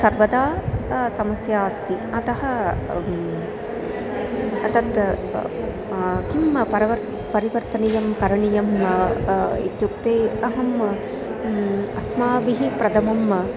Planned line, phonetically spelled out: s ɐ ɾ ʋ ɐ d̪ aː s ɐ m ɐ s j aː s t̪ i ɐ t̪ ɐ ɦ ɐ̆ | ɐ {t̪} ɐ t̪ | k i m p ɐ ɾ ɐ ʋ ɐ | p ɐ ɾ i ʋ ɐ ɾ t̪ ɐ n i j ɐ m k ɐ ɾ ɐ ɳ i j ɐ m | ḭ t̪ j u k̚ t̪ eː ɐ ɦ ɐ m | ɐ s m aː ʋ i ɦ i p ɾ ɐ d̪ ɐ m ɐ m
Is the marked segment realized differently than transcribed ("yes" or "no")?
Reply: no